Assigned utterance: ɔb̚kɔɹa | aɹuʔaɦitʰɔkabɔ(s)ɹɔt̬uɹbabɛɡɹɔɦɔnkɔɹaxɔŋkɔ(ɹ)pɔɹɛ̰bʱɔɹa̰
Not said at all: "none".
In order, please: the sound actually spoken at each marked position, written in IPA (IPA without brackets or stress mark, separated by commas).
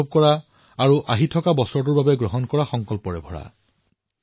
s, l